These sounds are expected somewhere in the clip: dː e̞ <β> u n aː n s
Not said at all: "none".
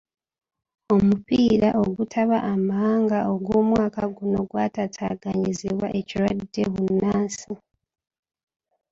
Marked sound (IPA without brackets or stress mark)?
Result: β